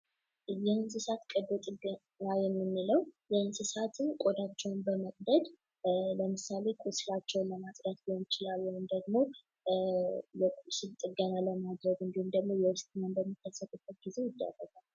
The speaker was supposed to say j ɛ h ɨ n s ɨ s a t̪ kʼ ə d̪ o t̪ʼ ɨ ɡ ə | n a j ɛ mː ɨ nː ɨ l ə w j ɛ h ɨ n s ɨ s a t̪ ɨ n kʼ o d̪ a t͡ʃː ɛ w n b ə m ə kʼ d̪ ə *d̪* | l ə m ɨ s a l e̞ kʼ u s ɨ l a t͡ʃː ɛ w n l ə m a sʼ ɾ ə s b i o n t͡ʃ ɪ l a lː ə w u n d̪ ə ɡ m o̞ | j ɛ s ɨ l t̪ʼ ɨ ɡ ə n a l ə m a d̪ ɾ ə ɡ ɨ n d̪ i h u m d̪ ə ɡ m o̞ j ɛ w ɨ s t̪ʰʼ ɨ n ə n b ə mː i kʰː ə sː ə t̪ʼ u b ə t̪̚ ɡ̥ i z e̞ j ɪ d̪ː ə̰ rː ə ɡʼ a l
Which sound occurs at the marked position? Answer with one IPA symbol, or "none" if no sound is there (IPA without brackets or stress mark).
d̪